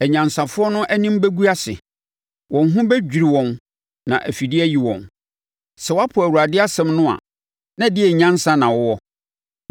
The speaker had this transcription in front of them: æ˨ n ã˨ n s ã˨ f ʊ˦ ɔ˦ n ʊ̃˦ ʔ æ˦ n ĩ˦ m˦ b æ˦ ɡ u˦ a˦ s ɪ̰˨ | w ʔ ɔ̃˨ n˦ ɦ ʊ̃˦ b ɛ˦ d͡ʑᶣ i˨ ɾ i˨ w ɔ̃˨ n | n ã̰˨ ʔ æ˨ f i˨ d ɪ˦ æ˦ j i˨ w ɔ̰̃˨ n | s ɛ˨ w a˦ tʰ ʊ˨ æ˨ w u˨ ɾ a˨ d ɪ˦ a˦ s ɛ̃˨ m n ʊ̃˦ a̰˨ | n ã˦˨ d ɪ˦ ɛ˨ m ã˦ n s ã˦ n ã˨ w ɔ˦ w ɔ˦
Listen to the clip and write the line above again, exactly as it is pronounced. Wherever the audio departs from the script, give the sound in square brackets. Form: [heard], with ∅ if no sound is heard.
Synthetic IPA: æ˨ [ɲ] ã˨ n s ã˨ f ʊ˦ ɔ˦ n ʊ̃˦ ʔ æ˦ n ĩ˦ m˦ b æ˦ ɡ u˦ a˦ s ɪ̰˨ | w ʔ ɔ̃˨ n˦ ɦ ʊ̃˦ b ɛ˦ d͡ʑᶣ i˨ ɾ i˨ w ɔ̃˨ n | n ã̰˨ ʔ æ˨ f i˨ d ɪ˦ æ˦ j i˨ w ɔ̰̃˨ n | s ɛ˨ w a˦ [pʰ] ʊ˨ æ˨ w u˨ ɾ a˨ d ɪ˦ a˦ s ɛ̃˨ m n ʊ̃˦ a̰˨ | n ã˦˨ d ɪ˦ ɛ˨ [ɲ] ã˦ n s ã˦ n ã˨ w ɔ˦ w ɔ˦